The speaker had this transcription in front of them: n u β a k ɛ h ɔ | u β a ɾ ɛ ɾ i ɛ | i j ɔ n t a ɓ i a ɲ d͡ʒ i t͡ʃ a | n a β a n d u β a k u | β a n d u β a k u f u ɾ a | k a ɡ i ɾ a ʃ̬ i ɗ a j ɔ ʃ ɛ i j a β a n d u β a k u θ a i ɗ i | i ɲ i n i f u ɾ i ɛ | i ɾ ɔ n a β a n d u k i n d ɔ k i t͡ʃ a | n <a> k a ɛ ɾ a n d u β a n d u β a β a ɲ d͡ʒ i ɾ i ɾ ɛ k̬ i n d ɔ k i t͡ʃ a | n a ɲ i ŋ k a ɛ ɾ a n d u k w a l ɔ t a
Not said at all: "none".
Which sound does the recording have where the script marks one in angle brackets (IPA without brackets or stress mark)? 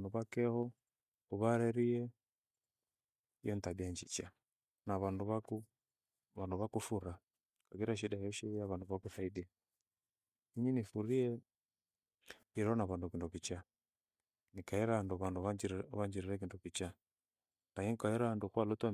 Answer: i